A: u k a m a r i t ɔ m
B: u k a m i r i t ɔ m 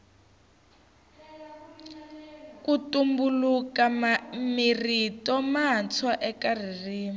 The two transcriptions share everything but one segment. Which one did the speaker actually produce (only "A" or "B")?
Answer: B